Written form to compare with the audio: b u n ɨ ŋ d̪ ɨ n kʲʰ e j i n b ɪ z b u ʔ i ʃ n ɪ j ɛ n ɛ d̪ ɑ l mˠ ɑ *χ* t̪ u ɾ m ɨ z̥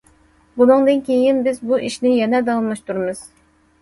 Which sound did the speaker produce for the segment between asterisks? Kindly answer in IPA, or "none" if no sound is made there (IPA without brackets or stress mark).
ʃ